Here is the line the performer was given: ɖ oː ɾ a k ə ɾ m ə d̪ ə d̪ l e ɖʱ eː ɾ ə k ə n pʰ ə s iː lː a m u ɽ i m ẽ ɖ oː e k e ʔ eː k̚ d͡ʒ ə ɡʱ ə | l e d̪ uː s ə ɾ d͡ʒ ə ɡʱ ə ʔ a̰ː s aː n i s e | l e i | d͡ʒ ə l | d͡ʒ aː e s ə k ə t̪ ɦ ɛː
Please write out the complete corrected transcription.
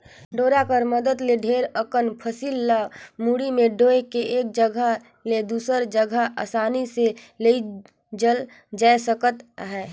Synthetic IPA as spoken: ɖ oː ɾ a k ə ɾ m ə d̪ ə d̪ l e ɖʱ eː ɾ ə k ə n pʰ ə s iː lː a m u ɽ i m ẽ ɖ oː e k e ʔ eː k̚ d͡ʒ ə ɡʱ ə | l e d̪ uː s ə ɾ d͡ʒ ə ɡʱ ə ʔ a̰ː s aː n i s e | l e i | d͡ʒ ə l | d͡ʒ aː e s ə k ə t̪ ɦ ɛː